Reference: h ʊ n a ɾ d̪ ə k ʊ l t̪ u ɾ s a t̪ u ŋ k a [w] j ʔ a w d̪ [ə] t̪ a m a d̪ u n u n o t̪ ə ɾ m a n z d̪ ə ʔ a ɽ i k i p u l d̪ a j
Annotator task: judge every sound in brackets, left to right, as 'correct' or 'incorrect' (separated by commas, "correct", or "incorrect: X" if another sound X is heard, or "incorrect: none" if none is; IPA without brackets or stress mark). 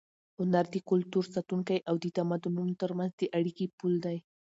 incorrect: none, correct